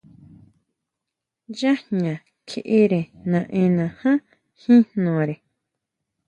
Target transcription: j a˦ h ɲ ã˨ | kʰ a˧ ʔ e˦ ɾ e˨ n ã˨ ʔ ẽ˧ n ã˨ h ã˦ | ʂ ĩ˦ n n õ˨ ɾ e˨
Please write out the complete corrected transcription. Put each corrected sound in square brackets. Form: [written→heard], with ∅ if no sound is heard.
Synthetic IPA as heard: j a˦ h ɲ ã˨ | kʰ [a˧→e˧] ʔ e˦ ɾ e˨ n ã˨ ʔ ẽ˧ n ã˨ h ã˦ | [ʂ→h] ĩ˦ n n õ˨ ɾ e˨